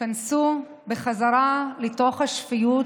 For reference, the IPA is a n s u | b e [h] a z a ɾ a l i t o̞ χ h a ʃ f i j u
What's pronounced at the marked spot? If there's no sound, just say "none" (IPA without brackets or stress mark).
χ